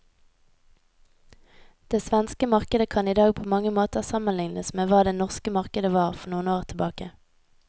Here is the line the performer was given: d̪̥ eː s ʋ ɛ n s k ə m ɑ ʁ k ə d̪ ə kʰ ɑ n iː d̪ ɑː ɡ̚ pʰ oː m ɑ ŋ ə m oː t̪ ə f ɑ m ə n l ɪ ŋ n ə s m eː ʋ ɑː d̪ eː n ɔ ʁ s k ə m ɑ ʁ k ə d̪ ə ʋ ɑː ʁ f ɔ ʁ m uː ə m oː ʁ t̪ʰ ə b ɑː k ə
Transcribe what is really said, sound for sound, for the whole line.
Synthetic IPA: d̪̥ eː s ʋ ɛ n s k ə m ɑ ʁ k ə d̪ ə kʰ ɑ n iː d̪ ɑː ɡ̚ pʰ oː m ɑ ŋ ə m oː t̪ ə s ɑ m ə n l ɪ ŋ n ə s m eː ʋ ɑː d̪ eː n ɔ ʁ s k ə m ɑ ʁ k ə d̪ ə ʋ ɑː ʁ f ɔ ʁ n uː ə n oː ʁ t̪ʰ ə b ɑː k ə